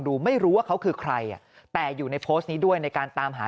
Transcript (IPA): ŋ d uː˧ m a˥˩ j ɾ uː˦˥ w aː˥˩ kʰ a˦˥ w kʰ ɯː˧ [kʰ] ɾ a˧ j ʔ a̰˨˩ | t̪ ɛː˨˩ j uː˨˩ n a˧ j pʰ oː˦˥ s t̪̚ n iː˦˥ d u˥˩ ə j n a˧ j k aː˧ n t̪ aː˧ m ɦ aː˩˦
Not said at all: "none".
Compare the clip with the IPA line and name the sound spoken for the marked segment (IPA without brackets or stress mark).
kʰ